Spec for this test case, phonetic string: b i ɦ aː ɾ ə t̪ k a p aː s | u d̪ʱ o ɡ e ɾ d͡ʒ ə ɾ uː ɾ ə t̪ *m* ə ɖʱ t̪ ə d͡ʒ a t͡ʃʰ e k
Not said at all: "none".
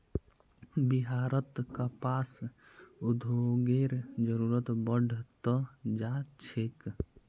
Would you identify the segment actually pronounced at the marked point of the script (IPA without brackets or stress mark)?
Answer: b